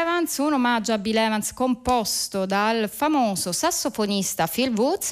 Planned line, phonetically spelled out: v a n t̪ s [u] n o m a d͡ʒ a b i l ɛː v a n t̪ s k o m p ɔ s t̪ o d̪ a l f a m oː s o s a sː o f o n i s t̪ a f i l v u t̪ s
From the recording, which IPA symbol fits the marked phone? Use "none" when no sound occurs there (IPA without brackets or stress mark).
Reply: u